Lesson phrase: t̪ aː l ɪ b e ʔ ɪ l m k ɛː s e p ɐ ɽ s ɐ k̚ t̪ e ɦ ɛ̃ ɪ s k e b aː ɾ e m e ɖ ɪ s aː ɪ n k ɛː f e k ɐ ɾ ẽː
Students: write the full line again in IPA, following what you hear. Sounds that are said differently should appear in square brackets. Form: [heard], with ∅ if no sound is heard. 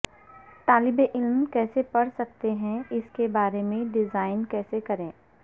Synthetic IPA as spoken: t̪ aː l ɪ b e ʔ ɪ l m k ɛː s e p ɐ ɽ s ɐ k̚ t̪ e ɦ ɛ̃ ɪ s k e b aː ɾ e m [ẽ] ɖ ɪ [z] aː ɪ n k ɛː [s] e k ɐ ɾ ẽː